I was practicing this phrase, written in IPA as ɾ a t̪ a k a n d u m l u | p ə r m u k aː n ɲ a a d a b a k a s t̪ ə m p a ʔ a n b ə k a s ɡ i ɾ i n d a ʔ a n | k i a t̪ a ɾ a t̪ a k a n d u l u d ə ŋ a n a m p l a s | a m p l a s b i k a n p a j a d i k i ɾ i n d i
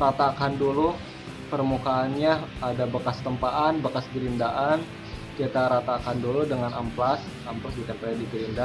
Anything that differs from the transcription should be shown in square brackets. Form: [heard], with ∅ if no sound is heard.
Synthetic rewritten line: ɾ a t̪ a k a n d u [∅] l u | p ə r m u k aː n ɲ a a d a b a k a s t̪ ə m p a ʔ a n b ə k a s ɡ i ɾ i n d a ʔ a n | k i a t̪ a ɾ a t̪ a k a n d u l u d ə ŋ a n a m p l a s | a m p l a s b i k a n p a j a d i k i ɾ i n d [a]